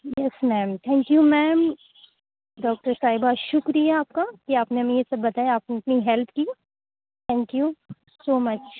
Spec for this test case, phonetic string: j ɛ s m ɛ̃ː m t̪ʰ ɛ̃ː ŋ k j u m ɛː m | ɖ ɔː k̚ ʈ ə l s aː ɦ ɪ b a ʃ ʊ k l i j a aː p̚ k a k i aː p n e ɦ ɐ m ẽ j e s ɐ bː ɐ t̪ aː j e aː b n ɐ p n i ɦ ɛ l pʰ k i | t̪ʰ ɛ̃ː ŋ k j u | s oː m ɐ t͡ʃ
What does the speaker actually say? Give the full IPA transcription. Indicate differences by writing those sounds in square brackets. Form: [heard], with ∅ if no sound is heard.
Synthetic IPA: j ɛ s m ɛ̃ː m t̪ʰ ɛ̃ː ŋ k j u m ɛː m | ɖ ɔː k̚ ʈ ə [ɾ] s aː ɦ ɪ b a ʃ ʊ k [ɾ] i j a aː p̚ k a k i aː p n e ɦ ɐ m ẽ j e s ɐ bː ɐ t̪ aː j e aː [p] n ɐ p n i ɦ ɛ l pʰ k i | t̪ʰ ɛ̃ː ŋ k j u | s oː m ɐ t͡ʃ